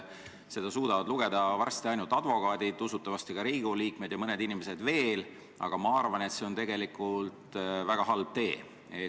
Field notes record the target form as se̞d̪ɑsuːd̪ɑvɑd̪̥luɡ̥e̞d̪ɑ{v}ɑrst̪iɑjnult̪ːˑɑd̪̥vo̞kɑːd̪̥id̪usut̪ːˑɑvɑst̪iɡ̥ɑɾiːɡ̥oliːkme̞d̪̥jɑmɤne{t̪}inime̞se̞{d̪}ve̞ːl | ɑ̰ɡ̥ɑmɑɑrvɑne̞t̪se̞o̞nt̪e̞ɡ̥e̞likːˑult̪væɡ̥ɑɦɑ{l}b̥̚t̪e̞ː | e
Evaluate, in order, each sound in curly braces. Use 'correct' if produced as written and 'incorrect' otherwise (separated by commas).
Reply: correct, incorrect, correct, correct